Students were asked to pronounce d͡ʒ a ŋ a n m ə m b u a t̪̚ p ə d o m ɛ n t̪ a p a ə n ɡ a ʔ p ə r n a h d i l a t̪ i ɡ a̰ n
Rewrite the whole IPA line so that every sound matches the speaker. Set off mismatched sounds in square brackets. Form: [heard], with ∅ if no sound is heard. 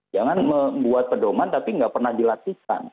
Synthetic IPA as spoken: d͡ʒ a ŋ a n m ə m b u a t̪̚ p ə d o m [a] n t̪ a p [i] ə [ŋ] ɡ a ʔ p ə r n a h d i l a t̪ i [k] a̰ n